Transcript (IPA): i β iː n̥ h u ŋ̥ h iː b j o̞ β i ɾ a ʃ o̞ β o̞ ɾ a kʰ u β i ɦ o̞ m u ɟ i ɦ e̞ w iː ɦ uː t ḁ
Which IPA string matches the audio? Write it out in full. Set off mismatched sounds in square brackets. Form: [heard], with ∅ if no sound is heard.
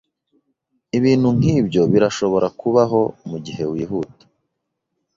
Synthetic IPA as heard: i β iː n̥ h u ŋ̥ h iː b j o̞ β i ɾ a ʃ o̞ β o̞ ɾ a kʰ u β [a] ɦ o̞ m u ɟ i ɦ e̞ w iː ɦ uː t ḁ